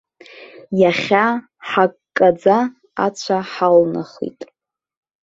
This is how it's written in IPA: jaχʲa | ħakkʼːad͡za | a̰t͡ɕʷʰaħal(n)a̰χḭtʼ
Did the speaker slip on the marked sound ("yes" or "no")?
no